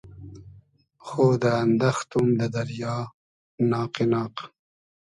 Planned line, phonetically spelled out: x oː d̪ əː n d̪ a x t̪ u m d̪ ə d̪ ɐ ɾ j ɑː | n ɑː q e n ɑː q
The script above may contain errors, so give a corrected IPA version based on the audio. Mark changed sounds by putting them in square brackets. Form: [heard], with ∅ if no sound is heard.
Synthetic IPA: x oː d̪ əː n d̪ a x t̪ u m d̪ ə d̪ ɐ ɾ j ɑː | n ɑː q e n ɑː q